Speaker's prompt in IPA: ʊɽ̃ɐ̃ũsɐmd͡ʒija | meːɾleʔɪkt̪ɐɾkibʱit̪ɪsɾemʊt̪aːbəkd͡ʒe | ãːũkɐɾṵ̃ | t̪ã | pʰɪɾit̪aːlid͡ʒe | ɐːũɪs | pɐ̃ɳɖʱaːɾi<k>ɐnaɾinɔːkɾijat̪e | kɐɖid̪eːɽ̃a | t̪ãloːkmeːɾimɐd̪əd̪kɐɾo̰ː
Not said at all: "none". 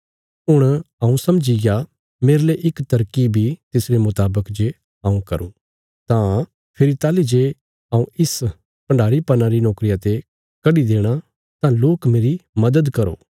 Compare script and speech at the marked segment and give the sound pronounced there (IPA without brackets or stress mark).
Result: p